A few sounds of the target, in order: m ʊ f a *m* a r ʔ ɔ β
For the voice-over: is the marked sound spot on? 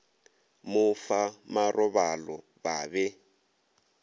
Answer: yes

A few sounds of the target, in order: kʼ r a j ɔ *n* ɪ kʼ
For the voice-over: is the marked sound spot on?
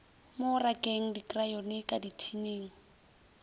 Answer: yes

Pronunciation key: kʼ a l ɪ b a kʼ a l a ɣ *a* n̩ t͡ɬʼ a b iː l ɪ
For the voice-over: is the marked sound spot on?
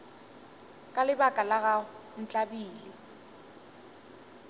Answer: yes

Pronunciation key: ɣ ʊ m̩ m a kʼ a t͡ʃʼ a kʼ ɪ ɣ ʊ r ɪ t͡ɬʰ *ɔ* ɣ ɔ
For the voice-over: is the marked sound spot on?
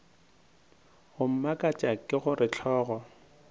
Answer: no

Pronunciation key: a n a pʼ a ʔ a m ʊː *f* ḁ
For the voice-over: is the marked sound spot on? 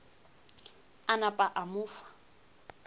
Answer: yes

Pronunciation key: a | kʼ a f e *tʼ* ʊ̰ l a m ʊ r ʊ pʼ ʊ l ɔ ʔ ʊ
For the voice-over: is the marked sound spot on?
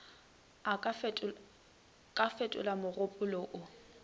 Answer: yes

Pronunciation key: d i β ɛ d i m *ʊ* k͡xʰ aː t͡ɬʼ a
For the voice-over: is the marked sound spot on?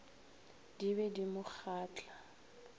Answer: yes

